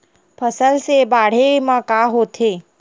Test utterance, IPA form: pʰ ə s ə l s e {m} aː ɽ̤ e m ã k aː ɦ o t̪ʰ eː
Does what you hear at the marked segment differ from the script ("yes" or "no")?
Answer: yes